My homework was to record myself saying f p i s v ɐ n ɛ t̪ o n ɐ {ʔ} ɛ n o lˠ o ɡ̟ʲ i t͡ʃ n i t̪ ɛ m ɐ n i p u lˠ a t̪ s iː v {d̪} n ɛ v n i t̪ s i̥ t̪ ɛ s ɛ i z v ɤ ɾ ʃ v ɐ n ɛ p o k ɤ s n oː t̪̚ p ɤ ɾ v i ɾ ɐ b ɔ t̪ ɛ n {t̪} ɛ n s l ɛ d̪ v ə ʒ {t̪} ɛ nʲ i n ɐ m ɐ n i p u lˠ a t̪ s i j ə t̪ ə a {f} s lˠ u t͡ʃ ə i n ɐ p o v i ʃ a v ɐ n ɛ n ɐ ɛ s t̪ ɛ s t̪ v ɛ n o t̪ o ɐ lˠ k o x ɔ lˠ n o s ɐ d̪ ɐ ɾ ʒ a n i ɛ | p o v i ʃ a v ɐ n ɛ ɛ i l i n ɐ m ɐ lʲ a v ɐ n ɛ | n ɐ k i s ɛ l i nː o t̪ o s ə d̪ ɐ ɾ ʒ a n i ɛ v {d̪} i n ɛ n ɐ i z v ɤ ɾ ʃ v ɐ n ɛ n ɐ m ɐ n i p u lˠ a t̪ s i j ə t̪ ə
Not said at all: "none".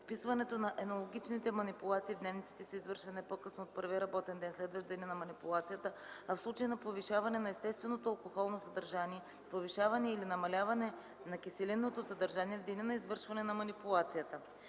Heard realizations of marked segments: ʔ, d̪, d̪, d̪, f, d̪

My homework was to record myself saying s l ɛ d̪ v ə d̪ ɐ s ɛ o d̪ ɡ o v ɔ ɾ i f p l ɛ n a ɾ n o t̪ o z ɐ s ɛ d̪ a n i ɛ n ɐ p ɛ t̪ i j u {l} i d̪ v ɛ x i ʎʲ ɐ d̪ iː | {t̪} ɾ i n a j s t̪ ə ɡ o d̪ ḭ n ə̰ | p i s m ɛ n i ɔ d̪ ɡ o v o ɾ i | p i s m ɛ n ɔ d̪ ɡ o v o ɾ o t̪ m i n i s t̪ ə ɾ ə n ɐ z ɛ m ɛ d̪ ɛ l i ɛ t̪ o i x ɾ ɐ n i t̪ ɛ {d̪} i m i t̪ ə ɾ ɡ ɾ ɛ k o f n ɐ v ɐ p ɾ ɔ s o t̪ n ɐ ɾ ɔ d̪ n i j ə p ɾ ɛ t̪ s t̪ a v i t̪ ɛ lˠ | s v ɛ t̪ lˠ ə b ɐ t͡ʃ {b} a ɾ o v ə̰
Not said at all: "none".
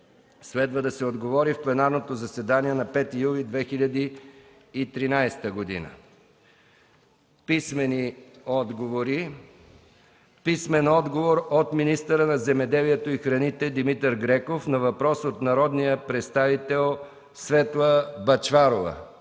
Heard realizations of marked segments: l, t̪, d̪, v

